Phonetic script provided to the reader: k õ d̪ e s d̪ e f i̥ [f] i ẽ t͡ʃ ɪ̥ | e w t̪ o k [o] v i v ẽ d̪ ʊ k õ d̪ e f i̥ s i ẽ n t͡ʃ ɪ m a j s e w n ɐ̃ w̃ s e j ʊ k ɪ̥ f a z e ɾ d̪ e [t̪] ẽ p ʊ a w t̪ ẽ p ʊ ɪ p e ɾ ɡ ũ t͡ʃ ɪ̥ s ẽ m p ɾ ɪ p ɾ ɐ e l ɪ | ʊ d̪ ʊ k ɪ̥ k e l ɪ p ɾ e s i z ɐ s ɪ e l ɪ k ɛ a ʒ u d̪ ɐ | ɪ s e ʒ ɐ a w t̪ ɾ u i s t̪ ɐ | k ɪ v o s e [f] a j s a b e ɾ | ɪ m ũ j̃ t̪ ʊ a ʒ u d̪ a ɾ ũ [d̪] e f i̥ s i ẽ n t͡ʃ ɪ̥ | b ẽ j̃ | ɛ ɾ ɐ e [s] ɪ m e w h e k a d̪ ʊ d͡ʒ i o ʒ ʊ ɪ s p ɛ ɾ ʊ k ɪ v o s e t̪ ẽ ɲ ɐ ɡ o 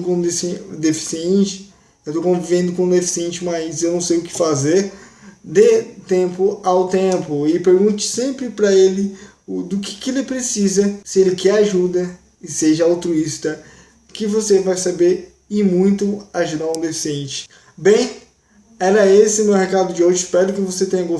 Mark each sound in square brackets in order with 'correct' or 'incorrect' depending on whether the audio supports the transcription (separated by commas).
incorrect, incorrect, correct, incorrect, correct, correct